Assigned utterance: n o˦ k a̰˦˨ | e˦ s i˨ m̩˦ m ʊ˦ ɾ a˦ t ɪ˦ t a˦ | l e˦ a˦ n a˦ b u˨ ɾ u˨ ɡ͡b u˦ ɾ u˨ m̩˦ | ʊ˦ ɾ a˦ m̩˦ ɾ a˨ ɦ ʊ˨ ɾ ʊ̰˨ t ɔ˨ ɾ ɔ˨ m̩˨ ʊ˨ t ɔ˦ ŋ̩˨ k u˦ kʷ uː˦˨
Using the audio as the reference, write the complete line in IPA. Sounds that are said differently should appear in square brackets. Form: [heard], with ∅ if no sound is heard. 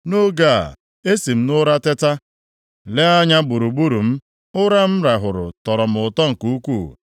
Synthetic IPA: n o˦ [ɡ] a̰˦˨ | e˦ s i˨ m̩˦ [n] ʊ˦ ɾ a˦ t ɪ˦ t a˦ | l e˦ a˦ [ɲ] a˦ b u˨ ɾ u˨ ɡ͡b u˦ ɾ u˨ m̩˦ | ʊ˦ ɾ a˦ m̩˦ ɾ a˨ ɦ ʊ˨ ɾ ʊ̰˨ t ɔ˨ ɾ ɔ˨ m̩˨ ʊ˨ t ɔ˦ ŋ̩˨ k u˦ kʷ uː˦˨

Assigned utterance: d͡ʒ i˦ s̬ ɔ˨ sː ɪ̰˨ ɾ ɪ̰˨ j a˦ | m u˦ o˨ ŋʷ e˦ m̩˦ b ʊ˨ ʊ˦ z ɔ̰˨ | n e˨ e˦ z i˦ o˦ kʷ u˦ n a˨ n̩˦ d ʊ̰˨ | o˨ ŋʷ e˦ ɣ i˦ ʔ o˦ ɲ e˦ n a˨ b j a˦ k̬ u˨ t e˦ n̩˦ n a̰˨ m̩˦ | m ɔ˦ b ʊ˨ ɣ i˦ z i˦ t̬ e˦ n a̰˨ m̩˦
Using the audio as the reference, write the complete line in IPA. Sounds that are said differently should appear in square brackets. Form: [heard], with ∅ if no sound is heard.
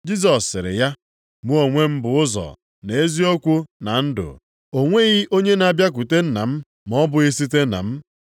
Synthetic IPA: d͡ʒ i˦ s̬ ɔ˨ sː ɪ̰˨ ɾ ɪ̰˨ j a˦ | m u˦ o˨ ŋʷ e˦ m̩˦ b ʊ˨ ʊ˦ z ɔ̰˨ | n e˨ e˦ z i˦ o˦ kʷ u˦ n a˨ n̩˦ d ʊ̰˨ | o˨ ŋʷ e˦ ɣ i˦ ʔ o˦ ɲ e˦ n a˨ b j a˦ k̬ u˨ t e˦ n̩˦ n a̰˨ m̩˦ | m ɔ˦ b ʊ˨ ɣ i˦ [s] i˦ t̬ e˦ n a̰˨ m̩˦

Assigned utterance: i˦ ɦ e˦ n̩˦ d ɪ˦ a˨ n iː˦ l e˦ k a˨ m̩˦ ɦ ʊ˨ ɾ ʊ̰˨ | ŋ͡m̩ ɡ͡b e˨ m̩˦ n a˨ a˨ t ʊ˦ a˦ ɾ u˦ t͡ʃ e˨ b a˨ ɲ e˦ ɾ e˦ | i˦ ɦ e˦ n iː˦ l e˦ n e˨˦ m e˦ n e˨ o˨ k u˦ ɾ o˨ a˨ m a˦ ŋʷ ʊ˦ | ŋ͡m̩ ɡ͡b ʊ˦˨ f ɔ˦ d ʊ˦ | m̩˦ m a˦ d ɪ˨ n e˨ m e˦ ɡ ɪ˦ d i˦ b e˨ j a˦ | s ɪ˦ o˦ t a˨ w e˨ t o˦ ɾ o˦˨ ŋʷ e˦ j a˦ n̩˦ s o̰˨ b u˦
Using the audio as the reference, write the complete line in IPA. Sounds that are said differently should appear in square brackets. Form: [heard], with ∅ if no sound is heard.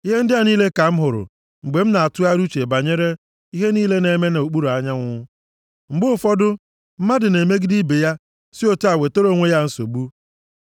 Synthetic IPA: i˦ ɦ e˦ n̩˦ d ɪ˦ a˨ n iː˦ l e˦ k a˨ m̩˦ ɦ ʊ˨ ɾ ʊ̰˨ | ŋ͡m̩ ɡ͡b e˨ m̩˦ n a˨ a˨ t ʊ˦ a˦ ɾ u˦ t͡ʃ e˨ b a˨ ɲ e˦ ɾ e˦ | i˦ ɦ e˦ n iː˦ l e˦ n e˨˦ m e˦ n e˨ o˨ [k͡p] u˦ ɾ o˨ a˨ [ɲ] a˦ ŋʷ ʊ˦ | ŋ͡m̩ ɡ͡b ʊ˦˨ f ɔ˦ d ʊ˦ | m̩˦ m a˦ d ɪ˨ n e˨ m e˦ ɡ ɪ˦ d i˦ b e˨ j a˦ | s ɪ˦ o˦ t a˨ w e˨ t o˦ ɾ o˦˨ ŋʷ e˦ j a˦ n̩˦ s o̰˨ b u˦

